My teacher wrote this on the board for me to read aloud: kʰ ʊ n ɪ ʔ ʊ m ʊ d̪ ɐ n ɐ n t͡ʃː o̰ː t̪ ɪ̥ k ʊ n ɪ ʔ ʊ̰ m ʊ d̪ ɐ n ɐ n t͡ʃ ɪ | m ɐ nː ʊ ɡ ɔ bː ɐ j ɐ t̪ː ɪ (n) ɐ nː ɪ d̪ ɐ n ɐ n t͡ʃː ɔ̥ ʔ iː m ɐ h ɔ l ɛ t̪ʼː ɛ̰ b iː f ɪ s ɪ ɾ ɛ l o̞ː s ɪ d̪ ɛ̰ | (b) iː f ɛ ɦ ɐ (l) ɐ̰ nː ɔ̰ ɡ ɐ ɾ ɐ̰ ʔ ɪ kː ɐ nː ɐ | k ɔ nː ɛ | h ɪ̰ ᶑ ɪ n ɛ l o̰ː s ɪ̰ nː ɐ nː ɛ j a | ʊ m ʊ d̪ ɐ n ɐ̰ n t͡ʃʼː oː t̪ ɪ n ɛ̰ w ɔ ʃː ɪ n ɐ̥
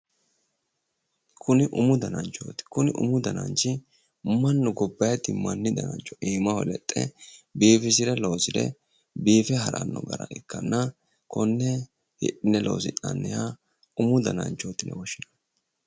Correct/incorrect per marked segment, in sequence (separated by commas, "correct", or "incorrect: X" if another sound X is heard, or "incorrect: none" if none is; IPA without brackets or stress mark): incorrect: m, correct, incorrect: ɾ